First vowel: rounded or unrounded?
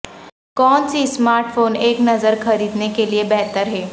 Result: rounded